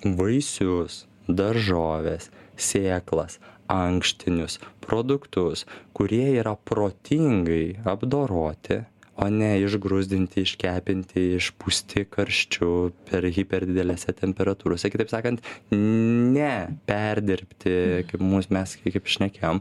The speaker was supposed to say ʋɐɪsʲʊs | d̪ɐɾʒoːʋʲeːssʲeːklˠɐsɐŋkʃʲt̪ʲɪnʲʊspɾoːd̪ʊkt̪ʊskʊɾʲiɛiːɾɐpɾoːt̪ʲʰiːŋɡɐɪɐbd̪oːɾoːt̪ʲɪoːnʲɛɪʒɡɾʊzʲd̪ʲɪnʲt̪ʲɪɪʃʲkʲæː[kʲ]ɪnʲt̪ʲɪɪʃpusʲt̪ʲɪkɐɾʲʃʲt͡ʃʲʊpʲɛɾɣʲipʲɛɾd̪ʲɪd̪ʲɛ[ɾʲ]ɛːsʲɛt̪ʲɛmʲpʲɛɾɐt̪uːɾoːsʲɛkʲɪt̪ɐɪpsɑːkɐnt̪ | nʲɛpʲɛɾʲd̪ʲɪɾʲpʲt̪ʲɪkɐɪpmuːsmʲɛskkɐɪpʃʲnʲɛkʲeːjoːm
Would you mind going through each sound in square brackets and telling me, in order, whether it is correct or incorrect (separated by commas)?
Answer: incorrect, incorrect